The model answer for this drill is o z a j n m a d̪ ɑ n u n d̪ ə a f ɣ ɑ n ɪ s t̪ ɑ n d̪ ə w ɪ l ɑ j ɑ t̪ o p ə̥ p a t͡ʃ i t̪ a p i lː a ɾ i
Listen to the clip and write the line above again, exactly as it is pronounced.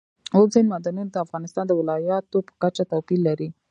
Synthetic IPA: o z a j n m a d̪ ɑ n u n d̪ ə a f ɣ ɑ n ɪ s t̪ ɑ n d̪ ə w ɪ l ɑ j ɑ t̪ o p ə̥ k a t͡ʃ a t̪ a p i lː a ɾ i